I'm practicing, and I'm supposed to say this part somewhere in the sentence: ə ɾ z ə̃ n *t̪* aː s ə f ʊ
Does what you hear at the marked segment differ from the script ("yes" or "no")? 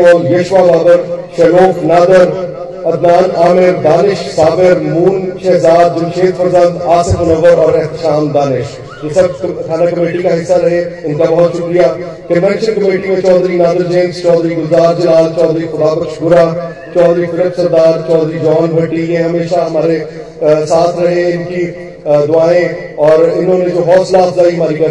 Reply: yes